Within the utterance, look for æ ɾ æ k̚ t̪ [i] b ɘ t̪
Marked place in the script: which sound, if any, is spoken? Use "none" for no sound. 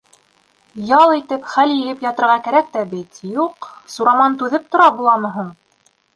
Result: æ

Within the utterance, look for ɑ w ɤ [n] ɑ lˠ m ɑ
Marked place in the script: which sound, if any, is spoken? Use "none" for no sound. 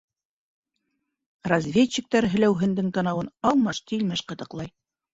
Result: n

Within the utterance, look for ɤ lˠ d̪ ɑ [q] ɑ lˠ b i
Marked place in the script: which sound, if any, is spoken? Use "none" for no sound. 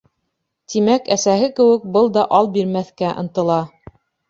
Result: ʔ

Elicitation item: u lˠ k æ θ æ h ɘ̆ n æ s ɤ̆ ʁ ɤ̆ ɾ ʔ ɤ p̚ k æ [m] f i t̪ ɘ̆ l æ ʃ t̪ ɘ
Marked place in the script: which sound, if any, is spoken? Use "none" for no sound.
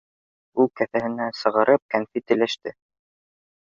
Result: n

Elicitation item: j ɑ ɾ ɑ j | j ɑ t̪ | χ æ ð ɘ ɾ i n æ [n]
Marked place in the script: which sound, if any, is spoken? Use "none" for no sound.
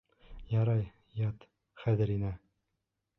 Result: none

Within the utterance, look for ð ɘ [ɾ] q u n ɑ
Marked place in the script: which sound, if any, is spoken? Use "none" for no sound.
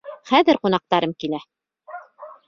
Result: ɾ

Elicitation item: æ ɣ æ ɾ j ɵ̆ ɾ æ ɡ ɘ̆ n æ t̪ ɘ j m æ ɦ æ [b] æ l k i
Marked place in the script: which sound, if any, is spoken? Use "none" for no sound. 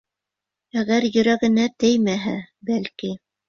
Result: b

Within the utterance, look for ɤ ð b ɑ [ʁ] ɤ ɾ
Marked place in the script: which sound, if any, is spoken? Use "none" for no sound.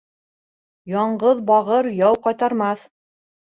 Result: ʁ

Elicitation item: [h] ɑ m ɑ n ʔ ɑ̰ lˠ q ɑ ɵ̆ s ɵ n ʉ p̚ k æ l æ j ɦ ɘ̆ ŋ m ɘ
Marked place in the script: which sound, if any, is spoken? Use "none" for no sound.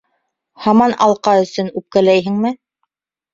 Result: h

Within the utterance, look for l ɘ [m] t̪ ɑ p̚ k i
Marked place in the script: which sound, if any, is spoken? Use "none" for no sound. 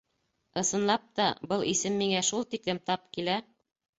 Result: m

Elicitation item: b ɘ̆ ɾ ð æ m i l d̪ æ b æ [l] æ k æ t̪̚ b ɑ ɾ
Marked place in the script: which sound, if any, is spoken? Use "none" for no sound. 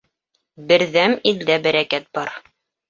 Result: ɾ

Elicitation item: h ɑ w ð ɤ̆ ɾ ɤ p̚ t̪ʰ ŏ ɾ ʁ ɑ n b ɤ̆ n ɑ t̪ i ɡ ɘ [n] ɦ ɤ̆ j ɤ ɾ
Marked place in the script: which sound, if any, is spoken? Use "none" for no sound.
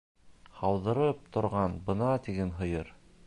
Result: n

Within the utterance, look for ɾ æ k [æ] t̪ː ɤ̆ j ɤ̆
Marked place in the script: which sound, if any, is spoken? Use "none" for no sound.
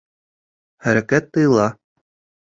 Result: æ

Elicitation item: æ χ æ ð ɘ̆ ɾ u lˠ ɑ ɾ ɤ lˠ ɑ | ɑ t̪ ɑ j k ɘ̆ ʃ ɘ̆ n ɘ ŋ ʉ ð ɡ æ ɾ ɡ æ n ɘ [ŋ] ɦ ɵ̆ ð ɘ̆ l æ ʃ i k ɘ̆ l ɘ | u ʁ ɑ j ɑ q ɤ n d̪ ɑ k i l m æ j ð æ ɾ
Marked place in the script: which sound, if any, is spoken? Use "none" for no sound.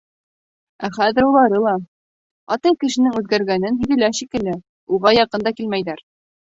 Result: n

